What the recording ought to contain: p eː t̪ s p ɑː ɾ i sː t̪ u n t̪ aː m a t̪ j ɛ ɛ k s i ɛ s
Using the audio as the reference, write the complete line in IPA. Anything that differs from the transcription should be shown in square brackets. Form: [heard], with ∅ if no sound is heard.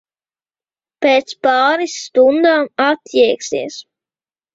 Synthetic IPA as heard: p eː t̪ s p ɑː ɾ i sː t̪ u n [d̪] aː m a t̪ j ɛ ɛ k s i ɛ s